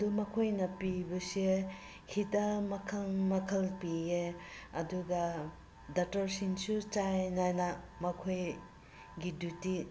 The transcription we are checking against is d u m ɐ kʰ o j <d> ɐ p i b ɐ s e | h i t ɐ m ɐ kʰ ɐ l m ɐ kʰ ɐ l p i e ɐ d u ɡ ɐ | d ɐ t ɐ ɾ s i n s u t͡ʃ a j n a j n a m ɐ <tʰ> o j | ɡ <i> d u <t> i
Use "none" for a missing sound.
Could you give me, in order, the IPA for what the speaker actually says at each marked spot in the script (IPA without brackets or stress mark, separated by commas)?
n, kʰ, i, t